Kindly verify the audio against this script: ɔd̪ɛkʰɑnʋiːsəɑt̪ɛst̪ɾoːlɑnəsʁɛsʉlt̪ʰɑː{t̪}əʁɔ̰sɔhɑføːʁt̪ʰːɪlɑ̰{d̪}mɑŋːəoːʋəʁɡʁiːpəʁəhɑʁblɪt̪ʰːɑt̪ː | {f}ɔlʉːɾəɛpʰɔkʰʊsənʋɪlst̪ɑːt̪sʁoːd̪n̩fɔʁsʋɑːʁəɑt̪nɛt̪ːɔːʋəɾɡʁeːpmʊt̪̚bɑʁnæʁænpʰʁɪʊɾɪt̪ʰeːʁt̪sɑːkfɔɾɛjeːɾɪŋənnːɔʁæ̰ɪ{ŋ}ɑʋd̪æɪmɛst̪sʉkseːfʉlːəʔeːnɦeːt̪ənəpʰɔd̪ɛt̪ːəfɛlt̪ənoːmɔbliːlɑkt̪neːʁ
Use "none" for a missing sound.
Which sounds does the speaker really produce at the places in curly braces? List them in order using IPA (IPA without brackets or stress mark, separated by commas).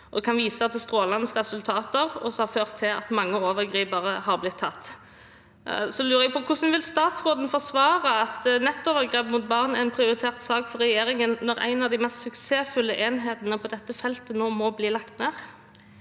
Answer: t̪, t̪, s, n